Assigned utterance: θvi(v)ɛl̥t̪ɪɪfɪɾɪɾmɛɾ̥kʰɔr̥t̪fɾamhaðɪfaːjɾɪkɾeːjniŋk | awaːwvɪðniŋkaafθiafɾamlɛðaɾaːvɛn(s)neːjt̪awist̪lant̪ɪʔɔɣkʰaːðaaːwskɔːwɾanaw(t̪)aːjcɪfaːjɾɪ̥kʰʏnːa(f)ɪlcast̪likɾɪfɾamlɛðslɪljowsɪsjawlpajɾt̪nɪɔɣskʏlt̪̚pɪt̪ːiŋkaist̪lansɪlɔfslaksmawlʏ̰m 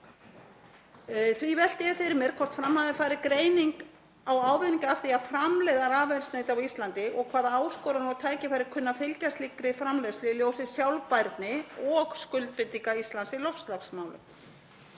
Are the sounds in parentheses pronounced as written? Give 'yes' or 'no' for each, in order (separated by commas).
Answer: yes, yes, no, yes